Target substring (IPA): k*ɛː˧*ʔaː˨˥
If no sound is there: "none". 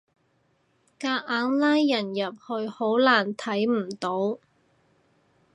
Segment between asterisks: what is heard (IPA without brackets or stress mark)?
aː˧